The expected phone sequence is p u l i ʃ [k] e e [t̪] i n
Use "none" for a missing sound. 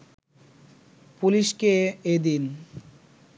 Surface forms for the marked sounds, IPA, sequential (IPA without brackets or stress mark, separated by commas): k, d̪